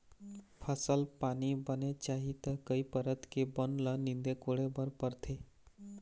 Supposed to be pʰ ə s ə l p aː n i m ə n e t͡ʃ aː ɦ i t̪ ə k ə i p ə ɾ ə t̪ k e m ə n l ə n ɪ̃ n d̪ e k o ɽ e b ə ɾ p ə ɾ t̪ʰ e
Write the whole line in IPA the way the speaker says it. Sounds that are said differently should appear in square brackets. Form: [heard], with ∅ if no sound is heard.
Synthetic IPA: pʰ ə s ə l p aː n i [b] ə n e t͡ʃ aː ɦ i t̪ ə k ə i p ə ɾ ə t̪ k e [b] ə n l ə n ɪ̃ n d̪ e k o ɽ e b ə ɾ p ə ɾ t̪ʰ e